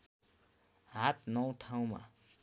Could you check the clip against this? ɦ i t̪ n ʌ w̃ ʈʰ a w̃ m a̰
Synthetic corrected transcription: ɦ a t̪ n ʌ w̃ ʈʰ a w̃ m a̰